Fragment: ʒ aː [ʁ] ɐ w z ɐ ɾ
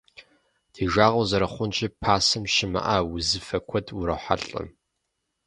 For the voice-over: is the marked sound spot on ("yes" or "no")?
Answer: yes